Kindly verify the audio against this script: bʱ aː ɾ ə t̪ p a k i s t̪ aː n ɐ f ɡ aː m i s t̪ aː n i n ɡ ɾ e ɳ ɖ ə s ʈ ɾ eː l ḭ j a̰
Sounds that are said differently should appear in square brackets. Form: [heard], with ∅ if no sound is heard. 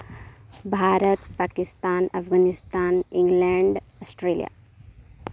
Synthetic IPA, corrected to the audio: bʱ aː ɾ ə t̪ p a k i s t̪ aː n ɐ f ɡ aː [n] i s t̪ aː n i [ŋ] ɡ [l] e ɳ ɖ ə s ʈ ɾ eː l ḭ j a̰